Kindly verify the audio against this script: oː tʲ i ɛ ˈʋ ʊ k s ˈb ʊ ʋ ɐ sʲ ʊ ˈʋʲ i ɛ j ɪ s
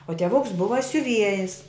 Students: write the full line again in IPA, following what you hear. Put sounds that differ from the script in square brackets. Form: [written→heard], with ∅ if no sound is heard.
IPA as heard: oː tʲ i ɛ ˈʋ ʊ k s ˈb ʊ ʋ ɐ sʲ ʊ ˈʋʲ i ɛ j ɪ s